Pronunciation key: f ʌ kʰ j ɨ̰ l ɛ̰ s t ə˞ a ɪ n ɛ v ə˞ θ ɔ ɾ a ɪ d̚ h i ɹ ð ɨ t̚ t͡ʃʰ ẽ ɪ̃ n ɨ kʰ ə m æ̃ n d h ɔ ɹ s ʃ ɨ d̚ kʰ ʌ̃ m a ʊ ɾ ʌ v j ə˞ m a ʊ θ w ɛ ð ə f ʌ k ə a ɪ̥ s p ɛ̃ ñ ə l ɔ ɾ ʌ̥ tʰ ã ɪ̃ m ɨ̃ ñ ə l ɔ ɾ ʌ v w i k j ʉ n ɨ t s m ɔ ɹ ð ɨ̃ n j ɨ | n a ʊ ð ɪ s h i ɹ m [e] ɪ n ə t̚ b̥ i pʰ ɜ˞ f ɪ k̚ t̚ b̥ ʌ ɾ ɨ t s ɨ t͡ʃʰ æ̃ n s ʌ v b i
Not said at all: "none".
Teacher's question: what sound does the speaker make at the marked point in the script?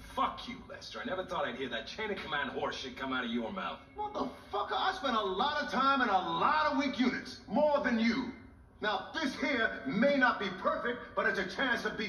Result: e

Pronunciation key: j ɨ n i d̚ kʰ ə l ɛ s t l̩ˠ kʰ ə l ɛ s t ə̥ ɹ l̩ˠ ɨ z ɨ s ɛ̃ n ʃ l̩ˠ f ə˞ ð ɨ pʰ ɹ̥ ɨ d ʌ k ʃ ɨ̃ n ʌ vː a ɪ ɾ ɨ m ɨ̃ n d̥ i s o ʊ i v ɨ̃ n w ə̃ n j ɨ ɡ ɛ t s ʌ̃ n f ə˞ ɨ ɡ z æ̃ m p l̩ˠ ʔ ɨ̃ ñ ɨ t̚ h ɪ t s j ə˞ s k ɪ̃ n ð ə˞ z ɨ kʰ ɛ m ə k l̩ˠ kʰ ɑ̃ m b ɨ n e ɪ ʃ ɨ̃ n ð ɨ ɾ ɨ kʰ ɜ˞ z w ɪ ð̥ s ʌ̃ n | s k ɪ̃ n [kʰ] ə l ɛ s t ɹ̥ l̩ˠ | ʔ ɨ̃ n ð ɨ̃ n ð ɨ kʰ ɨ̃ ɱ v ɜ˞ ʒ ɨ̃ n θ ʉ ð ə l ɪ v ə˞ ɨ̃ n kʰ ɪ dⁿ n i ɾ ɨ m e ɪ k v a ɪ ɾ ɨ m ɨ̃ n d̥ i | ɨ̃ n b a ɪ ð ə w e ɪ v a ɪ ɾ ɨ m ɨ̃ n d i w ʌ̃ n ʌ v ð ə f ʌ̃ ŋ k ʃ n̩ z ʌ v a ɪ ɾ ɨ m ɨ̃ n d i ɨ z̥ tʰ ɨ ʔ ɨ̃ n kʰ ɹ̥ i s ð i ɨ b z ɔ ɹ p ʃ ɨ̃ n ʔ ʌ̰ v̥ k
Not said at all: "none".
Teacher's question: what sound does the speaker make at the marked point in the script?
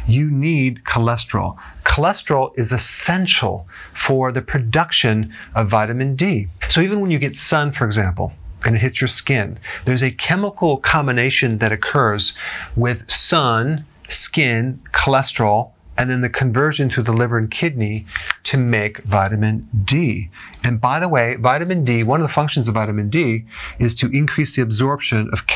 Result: kʰ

